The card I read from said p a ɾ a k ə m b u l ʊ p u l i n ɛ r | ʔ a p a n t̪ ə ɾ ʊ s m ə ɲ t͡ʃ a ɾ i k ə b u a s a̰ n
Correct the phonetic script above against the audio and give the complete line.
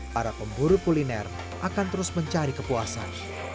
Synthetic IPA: p a ɾ a p ə m b u ɾ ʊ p u l i n ɛ r | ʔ a k a n t̪ ə ɾ ʊ s m ə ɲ t͡ʃ a ɾ i k ə p u a s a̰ n